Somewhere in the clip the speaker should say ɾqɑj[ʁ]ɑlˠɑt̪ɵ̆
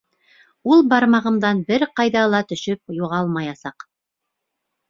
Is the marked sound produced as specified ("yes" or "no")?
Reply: no